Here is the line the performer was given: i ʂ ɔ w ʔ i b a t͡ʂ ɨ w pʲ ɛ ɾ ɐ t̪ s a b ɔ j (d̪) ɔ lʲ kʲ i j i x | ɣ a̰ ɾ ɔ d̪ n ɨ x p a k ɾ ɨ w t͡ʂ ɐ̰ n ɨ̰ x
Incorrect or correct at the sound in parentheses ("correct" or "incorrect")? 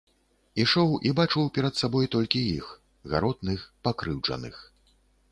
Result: incorrect